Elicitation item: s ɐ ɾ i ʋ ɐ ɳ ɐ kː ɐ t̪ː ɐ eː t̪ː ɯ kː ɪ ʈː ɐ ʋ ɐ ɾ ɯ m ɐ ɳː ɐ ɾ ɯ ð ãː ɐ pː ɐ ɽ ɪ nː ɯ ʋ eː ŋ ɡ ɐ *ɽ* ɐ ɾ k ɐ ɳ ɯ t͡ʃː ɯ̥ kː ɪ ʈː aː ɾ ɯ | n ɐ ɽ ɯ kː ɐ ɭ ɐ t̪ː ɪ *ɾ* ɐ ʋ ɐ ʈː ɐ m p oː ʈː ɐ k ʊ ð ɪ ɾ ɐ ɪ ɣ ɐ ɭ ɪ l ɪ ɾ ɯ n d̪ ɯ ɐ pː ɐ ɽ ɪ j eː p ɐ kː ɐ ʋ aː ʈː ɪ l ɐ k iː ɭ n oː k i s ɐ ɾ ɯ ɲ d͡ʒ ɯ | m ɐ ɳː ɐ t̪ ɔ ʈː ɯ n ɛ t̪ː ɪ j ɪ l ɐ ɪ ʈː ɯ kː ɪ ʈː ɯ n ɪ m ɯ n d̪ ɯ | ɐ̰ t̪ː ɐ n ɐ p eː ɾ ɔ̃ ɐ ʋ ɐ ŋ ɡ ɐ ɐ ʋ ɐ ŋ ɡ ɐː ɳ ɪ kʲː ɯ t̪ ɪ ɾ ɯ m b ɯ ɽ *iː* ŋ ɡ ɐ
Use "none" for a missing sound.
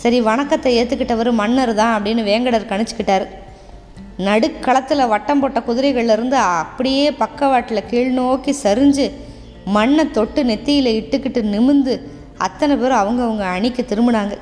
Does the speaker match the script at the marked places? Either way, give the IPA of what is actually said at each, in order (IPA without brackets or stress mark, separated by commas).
ɽ, l, aː